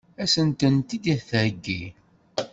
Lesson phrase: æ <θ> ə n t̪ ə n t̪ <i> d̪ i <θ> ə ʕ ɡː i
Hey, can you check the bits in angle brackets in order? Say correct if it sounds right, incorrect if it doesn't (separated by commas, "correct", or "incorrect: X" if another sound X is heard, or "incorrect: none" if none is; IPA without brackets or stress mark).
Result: incorrect: s, correct, correct